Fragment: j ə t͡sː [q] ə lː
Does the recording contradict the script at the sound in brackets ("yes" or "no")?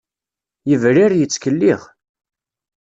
yes